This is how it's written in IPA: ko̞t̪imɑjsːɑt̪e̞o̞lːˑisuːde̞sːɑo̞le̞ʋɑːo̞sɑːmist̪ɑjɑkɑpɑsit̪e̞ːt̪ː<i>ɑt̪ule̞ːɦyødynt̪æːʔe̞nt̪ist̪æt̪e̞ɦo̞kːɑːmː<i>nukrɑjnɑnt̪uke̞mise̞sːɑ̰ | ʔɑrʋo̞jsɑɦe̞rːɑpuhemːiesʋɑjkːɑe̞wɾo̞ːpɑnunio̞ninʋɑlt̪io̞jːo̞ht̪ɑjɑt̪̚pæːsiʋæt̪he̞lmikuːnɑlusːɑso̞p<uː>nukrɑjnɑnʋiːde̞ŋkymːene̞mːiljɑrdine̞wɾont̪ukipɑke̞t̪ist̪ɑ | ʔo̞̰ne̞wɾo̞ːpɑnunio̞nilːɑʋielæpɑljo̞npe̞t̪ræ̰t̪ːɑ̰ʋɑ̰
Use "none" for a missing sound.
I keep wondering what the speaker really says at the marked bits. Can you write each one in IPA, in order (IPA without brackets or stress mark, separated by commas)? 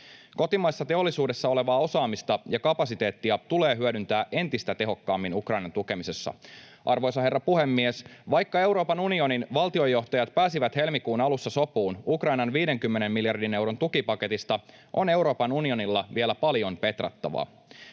i, i, uː